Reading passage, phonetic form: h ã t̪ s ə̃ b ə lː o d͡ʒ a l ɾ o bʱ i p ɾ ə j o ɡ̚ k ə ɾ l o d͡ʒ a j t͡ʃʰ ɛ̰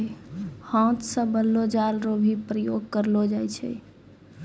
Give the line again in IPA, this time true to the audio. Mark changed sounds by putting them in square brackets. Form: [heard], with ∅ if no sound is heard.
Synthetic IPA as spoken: h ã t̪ s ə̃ b ə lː o d͡ʒ a l ɾ o bʱ i p ɾ ə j o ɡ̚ k ə ɾ l o d͡ʒ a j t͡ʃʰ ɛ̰